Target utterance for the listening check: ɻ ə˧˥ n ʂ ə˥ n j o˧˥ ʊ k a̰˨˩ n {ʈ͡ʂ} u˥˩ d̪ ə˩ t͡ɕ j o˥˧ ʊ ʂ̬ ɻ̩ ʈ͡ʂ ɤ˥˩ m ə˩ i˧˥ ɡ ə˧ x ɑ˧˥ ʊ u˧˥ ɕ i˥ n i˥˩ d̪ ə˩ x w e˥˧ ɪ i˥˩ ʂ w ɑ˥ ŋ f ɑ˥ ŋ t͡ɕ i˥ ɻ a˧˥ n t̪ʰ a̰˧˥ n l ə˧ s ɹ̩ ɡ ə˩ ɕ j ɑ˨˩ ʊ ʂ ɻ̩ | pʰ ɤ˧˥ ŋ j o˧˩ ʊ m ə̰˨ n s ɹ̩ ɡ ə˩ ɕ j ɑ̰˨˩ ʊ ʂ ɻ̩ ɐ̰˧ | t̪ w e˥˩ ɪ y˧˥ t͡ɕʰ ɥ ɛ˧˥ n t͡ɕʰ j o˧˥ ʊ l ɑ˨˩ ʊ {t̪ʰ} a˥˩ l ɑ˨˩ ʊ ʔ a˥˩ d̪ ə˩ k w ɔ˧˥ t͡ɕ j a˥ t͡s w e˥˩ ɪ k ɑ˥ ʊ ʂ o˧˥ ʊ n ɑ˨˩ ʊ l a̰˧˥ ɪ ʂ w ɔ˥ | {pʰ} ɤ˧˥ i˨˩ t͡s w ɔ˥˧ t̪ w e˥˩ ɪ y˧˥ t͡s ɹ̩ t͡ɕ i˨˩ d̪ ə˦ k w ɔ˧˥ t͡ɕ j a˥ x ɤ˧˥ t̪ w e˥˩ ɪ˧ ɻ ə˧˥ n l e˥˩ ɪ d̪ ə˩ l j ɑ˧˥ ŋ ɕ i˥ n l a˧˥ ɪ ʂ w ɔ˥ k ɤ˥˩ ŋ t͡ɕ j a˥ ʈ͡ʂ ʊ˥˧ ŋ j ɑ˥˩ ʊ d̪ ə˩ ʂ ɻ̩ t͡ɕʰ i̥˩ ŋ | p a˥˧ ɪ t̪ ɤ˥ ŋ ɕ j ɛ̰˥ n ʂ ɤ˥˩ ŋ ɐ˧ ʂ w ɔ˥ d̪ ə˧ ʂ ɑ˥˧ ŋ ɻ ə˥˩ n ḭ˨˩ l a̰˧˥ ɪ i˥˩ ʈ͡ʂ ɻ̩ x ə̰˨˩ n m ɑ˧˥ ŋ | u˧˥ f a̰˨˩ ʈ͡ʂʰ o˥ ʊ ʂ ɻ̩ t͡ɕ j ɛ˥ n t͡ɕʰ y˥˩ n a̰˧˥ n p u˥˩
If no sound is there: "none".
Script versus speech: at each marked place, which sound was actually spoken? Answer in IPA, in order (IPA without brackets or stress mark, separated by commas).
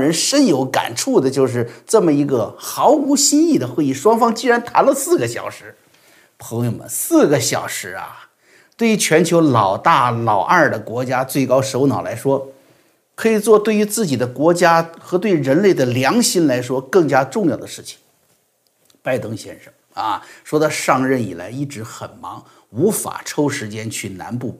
ʈ͡ʂʰ, t̪, kʰ